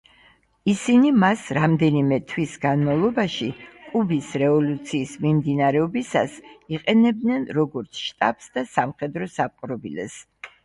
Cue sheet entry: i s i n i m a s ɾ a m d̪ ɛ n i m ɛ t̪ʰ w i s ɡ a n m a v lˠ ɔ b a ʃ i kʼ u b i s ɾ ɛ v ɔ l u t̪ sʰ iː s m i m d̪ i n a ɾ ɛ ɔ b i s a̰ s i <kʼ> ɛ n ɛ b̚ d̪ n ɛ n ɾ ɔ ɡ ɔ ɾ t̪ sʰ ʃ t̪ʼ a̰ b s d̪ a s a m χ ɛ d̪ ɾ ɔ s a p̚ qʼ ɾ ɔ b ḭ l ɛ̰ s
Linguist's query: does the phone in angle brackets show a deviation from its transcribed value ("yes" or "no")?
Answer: yes